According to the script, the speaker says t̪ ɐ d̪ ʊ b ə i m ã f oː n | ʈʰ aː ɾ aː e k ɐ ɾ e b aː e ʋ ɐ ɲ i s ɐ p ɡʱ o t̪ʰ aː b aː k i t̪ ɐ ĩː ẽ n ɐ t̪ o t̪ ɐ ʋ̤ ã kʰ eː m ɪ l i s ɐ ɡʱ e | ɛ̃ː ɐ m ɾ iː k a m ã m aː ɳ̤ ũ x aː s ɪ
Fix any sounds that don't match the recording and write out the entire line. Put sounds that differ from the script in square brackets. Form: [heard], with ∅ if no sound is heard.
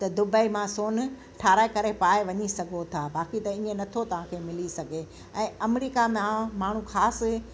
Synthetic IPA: t̪ ɐ d̪ ʊ b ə i m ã [s] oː n | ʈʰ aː ɾ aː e k ɐ ɾ e [p] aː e ʋ ɐ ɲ i s ɐ [∅] ɡʱ o t̪ʰ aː b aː k i t̪ ɐ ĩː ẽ n ɐ [t̪ʰ] o t̪ ɐ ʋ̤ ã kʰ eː m ɪ l i s ɐ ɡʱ e | ɛ̃ː ɐ m ɾ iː k a m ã m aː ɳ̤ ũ x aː s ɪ

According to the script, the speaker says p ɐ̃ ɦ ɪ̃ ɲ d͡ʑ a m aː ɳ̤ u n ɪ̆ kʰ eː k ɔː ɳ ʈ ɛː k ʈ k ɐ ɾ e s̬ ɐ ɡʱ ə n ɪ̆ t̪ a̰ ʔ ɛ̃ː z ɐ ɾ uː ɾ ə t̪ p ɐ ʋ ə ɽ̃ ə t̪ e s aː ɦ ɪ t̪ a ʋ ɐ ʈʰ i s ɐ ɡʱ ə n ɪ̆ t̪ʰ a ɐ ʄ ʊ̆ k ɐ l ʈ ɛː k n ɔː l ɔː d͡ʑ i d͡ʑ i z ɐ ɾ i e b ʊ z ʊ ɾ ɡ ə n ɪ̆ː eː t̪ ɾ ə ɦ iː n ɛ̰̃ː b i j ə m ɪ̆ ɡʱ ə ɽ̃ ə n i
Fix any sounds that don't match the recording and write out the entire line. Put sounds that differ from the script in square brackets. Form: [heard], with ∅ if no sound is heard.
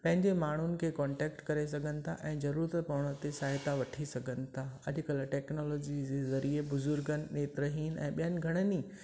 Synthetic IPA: p ɐ̃ ɦ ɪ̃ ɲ d͡ʑ [e] m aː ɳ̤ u n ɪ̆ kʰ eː k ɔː ɳ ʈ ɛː k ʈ k ɐ ɾ e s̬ ɐ ɡʱ ə n ɪ̆ [t̪ʰ] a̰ ʔ ɛ̃ː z ɐ ɾ uː ɾ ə t̪ p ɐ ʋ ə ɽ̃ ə t̪ e s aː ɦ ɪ t̪ a ʋ ɐ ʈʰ i s ɐ ɡʱ ə n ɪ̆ t̪ʰ a ɐ ʄ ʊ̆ k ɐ l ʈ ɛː k n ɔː l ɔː d͡ʑ i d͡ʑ [e] z ɐ ɾ i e b ʊ z ʊ ɾ ɡ ə n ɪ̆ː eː t̪ ɾ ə ɦ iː n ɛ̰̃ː [ɓ] i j ə [n] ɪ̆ ɡʱ [ɐ] ɽ̃ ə n i

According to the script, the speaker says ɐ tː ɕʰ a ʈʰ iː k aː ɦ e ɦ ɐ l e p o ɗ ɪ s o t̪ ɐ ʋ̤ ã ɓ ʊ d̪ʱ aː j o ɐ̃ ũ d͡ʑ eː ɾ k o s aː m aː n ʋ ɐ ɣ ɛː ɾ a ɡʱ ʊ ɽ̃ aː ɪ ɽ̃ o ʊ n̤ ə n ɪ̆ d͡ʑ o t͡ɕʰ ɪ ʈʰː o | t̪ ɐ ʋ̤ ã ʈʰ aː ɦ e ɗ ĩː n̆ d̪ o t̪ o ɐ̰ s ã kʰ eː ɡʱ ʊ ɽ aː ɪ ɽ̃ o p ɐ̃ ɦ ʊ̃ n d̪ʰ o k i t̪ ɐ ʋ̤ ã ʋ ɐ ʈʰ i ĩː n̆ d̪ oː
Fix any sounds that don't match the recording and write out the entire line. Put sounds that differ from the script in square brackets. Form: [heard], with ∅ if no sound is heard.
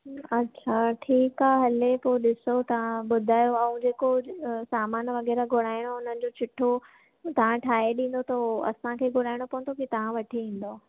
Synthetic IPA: ɐ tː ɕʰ a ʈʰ iː k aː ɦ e ɦ ɐ l e p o ɗ ɪ s o t̪ ɐ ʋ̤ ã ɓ ʊ d̪ʱ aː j o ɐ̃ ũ d͡ʑ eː [∅] k o s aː m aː n ʋ ɐ ɣ ɛː ɾ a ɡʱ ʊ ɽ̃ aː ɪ ɽ̃ o ʊ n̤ ə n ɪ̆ d͡ʑ o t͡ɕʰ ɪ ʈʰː o | t̪ ɐ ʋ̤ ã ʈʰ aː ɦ e ɗ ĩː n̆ d̪ o t̪ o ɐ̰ s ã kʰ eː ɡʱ ʊ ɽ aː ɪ ɽ̃ o p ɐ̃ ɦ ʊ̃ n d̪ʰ o k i t̪ ɐ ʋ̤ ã ʋ ɐ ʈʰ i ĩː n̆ d̪ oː

